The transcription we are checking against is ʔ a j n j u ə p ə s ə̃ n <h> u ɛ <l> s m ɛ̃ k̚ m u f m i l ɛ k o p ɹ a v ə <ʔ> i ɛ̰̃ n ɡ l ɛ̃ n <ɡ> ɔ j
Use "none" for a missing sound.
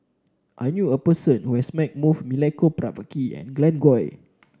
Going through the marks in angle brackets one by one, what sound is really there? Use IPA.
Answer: h, none, k, ɡ

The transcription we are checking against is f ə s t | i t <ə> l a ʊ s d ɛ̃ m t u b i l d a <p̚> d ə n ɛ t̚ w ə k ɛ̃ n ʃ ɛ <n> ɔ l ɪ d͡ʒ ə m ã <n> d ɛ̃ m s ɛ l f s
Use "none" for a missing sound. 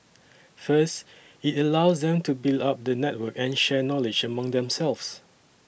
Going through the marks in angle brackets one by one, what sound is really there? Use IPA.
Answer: ə, p̚, n, ŋ

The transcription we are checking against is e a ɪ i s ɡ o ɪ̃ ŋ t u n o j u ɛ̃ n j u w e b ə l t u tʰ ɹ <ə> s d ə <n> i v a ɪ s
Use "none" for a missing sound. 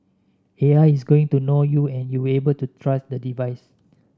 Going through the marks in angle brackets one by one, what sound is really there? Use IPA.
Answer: a, d

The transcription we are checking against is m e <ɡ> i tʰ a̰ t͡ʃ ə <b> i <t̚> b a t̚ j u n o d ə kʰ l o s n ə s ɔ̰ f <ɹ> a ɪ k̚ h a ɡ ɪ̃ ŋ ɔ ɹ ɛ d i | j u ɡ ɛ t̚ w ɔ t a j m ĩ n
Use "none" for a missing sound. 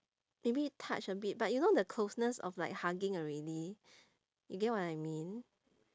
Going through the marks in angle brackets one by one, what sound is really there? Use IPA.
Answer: b, b, t̚, l

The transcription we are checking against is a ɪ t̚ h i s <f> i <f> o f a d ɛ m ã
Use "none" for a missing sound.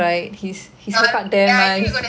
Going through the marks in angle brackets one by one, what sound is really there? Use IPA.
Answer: h, s

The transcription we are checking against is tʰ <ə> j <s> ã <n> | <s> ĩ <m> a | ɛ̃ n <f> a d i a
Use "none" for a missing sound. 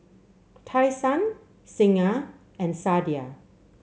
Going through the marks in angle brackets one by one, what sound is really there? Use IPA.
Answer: a, s, n, s, ŋ, s

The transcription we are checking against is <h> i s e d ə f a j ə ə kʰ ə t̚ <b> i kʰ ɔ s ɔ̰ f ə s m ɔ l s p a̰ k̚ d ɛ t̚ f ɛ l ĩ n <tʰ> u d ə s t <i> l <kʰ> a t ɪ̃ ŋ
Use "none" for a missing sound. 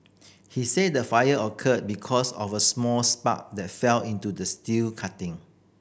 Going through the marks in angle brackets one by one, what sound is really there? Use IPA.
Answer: h, b, t, i, kʰ

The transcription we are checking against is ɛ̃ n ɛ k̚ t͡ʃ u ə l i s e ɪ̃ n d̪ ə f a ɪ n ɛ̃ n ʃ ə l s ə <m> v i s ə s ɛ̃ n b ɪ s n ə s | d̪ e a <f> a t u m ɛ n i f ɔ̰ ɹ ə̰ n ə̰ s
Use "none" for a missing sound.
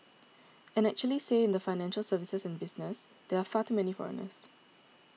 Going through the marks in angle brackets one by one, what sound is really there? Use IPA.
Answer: none, f

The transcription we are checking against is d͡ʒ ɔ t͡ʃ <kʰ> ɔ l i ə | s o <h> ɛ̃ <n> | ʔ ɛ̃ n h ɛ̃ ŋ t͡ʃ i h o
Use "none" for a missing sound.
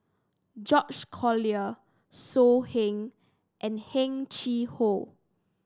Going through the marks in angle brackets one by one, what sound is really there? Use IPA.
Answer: kʰ, h, ŋ

